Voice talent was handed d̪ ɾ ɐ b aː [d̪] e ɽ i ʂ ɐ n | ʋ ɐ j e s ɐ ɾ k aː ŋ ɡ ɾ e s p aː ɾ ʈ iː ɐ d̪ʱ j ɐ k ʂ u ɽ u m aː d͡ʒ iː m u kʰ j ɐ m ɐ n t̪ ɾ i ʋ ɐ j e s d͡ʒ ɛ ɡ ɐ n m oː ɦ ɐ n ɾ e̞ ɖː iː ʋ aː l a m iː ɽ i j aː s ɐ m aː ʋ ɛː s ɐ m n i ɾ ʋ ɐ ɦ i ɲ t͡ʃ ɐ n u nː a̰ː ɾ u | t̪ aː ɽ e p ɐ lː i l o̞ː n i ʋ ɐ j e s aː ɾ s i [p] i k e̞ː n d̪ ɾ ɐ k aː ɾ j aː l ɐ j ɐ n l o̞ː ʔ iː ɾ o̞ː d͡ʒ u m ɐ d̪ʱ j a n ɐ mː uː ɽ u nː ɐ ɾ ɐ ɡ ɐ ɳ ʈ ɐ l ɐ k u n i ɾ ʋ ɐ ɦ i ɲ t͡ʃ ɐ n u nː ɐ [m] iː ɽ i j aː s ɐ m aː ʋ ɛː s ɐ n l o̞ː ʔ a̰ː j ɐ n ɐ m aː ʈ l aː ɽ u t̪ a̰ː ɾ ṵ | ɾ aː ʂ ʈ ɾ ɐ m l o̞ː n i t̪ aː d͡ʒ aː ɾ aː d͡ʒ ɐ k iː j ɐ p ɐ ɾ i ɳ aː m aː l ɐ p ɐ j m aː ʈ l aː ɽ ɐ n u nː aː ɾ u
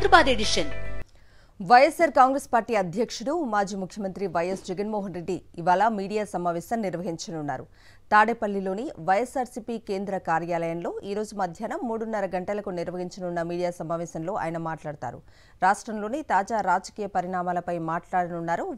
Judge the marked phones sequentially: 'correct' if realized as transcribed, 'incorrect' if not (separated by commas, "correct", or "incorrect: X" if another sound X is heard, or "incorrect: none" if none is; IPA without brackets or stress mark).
correct, correct, correct